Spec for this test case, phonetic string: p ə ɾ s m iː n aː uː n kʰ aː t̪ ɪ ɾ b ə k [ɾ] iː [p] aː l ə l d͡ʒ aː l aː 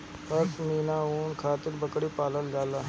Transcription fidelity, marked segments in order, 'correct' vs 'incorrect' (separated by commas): incorrect, correct